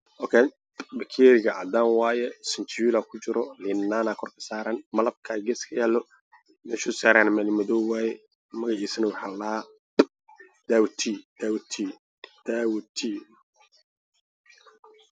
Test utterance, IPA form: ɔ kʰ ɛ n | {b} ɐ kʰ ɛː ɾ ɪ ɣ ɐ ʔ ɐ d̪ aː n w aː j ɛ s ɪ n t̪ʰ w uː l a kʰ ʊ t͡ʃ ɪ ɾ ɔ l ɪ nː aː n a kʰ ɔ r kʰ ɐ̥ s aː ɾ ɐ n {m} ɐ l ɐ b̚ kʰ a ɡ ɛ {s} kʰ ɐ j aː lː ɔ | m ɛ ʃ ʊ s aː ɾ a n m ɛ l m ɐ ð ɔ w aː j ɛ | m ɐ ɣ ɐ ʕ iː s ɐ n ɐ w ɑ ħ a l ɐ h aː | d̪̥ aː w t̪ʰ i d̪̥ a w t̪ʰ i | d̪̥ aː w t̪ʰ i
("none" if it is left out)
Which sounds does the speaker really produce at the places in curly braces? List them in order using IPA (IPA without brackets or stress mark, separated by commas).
b, m, s